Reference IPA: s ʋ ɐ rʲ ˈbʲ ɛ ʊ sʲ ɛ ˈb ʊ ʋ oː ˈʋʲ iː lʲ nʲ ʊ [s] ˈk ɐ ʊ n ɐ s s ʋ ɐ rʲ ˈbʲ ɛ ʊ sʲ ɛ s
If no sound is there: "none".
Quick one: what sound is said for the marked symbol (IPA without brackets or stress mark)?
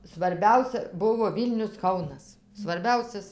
s